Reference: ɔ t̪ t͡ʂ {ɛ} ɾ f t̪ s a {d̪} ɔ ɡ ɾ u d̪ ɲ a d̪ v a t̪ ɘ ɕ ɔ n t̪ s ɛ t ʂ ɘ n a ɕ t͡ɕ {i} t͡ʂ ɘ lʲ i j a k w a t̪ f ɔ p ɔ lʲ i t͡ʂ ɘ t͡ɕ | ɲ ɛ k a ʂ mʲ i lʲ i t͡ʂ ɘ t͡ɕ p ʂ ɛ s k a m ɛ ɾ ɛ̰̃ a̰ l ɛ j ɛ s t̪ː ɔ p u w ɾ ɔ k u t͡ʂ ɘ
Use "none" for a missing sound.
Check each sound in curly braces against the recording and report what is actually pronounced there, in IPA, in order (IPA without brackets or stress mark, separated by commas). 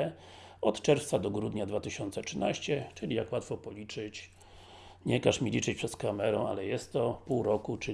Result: ɛ, d̪, ɛ